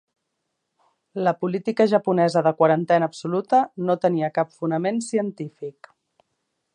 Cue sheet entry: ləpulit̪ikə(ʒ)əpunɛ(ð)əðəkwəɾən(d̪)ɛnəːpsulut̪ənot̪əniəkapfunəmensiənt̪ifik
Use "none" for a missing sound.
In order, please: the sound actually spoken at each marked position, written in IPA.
ʒ, z, t̪

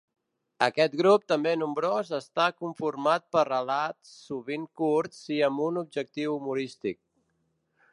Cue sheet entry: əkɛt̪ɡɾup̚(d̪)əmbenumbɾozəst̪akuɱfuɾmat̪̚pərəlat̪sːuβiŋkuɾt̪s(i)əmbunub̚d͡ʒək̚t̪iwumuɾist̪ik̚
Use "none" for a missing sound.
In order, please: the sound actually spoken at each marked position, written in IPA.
t̪, i

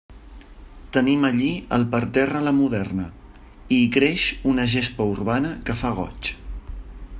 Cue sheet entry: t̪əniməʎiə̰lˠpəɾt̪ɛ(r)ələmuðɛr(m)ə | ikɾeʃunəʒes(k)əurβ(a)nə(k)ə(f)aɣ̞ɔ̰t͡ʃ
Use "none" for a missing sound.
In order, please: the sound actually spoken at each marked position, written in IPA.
r, n, p, a, k, f

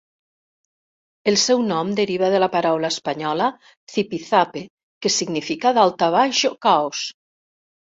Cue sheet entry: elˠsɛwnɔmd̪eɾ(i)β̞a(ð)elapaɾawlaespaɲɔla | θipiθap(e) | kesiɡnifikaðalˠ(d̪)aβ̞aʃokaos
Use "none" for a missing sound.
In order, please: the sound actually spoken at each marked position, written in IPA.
i, ð, e, t̪

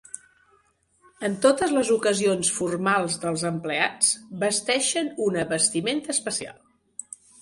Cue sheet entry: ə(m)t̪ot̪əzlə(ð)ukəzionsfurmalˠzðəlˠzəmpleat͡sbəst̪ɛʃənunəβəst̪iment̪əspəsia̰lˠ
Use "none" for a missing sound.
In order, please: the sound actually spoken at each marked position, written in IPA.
n, z

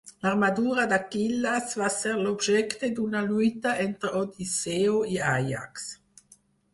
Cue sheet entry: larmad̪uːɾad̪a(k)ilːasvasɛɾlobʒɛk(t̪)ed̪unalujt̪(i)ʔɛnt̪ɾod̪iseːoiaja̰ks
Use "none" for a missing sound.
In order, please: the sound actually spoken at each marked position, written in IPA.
k, t̪, a

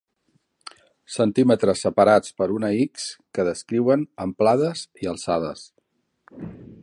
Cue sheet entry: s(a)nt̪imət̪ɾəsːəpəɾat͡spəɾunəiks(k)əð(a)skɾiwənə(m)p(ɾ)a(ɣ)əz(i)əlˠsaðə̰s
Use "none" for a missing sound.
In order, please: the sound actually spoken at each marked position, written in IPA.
ə, k, ə, m, l, ð, i

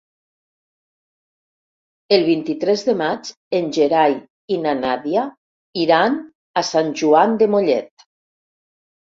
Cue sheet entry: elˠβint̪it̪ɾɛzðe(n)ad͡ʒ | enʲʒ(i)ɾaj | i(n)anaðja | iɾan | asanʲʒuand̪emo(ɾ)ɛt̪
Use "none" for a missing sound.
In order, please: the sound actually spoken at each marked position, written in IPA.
m, e, n, ʎ

